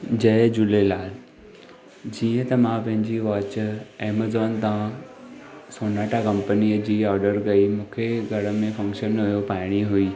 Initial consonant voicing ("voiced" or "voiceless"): voiced